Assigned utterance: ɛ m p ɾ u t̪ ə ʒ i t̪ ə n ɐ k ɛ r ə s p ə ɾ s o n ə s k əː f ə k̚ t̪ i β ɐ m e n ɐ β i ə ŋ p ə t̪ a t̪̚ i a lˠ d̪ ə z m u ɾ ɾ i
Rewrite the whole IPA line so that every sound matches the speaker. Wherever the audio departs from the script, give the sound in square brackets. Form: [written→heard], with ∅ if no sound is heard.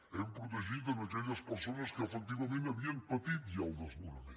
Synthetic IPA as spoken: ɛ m p ɾ u t̪ ə ʒ i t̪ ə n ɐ k ɛ [r→ʎ] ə s p ə ɾ s o n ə s k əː f ə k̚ t̪ i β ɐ m e n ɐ β i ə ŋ p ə t̪ [a→i] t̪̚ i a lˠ d̪ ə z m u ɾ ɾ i